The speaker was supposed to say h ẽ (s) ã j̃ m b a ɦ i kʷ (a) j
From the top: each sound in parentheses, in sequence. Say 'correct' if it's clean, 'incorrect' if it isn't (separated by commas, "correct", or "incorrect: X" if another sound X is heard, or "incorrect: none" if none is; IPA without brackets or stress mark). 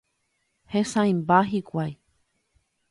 correct, correct